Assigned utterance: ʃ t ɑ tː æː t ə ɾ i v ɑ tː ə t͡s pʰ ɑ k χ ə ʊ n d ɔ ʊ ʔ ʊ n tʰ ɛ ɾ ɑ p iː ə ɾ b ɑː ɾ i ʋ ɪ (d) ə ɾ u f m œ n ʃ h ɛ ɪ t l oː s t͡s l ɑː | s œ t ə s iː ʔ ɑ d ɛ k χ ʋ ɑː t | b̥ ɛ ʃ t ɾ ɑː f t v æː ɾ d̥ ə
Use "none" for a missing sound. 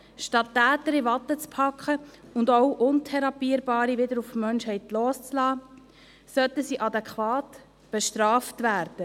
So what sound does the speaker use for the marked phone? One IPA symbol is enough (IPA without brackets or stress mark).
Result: d